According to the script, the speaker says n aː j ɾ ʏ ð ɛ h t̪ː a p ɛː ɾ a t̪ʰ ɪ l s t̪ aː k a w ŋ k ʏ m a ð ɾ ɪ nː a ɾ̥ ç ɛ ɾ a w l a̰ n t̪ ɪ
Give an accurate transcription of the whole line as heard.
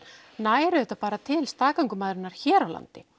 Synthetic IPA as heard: n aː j ɾ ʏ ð ɛ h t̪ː a p aː ɾ a t̪ʰ ɪ l s t̪ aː k a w ŋ k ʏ m a ð ɾ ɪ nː a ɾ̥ ç ɛː ɾ a w l a̰ n t̪ ɪ

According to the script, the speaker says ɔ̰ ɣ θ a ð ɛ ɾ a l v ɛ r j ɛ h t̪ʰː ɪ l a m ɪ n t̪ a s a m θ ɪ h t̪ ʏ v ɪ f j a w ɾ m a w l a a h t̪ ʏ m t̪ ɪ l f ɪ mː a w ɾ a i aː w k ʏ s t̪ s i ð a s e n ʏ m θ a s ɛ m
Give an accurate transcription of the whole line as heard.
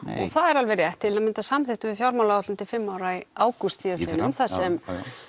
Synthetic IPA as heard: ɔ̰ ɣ θ a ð ɛ ɾ a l v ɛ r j ɛ h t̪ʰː ɪ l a m ɪ n t̪ a s a m θ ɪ h t̪ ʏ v ɪ f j a w ɾ m a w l a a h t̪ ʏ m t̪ ɪ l f ɪ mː a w ɾ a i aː w k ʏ s t̪ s i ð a s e n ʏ m θ a s ɛ m

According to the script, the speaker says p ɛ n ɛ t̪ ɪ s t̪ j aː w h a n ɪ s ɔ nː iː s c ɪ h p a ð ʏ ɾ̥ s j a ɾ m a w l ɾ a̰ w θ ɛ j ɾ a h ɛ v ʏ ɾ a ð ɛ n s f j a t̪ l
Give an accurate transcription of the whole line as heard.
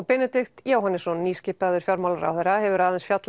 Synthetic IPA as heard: p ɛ n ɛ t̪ ɪ x t̪ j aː w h a n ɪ s ɔ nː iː s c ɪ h p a ð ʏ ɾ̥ f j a ɾ m a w l ɾ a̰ w θ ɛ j ɾ a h ɛ v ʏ ɾ a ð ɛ n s f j a t̪ l

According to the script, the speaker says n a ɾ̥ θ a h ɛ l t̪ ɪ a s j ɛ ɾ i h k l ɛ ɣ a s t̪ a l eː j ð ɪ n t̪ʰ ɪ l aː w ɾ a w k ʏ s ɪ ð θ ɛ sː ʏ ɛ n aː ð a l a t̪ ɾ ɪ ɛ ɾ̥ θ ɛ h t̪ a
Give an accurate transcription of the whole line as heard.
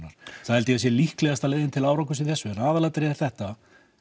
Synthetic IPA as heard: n a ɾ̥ θ a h ɛ l t̪ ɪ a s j ɛ l i h k l ɛ ɣ a s t̪ a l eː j ð ɪ n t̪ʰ ɪ l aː w ɾ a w k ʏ s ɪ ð θ ɛ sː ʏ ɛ n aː ð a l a t̪ ɾ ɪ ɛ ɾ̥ θ ɛ h t̪ a

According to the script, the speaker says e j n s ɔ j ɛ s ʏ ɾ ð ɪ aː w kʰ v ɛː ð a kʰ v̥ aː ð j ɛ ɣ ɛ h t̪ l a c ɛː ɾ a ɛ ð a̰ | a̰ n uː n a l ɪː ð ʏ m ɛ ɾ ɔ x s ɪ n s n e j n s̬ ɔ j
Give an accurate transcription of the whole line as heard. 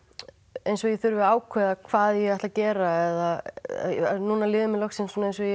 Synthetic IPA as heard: e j n s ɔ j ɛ θ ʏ ɾ v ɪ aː w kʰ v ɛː ð a kʰ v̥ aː ð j ɛ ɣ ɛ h t̪ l a c ɛː ɾ a ɛ ð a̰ | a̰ n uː n a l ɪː ð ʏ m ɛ l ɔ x s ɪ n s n e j n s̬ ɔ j

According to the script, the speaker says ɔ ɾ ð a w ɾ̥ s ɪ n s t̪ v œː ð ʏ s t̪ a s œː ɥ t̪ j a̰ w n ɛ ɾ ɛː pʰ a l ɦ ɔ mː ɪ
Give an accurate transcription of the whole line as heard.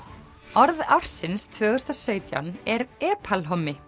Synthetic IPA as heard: ɔ ɾ ð a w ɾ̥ s ɪ n s t̪ʰ v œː ɣ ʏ s t̪ a s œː ɥ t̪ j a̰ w n ɛ ɾ ɛː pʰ a l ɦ ɔ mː ɪ

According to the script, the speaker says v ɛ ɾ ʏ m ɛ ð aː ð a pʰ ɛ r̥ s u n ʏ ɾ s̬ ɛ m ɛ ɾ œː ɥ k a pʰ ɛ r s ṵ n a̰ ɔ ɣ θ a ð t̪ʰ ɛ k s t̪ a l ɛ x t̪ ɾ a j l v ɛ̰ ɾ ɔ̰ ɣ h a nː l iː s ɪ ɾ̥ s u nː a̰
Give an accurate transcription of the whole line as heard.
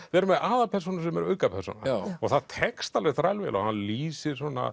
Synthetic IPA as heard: v ɛ ɾ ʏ m ɛ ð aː ð a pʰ ɛ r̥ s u n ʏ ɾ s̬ ɛ m ɛ ɾ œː ɥ k a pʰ ɛ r s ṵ n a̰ ɔ ɣ θ a ð t̪ʰ ɛ k s t̪ a l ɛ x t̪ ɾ a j l v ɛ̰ l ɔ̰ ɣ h a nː l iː s ɪ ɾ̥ s ɔ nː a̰

